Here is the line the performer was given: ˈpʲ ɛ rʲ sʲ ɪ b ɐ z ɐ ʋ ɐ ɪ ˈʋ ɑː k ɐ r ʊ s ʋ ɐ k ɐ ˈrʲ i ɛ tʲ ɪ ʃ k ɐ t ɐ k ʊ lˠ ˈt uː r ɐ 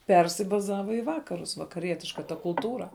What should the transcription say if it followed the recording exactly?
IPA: ˈpʲ ɛ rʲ sʲ ɪ b ɐ z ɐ ʋ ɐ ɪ ˈʋ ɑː k ɐ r ʊ s ʋ ɐ k ɐ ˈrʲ i ɛ tʲ ɪ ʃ k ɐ t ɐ k ʊ lˠ ˈt uː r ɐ